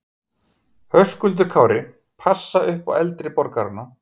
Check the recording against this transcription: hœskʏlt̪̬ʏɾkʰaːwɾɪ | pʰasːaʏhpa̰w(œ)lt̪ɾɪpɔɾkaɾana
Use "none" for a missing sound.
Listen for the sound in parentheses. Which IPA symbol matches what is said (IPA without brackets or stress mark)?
ɛ